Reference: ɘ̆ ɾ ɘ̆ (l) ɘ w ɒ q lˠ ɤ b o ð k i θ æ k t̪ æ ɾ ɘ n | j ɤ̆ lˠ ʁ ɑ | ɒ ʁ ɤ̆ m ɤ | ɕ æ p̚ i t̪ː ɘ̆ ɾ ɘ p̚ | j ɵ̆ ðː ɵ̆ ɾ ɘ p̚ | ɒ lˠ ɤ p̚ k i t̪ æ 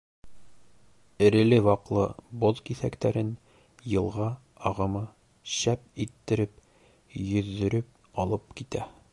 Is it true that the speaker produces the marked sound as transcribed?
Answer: yes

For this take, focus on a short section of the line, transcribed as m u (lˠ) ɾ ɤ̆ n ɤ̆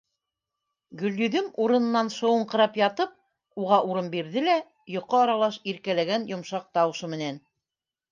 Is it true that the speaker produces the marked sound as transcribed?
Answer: no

